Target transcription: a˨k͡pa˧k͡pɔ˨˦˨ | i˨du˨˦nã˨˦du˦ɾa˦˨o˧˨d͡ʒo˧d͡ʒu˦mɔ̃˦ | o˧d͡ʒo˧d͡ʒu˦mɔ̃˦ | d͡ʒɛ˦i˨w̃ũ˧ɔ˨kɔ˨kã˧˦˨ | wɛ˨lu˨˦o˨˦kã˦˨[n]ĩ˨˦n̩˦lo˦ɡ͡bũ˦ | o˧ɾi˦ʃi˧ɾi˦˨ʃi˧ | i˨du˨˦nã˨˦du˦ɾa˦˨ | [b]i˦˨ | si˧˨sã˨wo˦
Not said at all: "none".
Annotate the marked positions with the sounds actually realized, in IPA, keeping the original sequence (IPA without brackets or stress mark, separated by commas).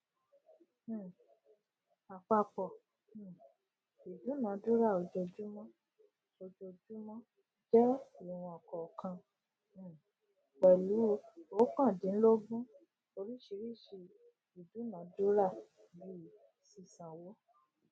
d, b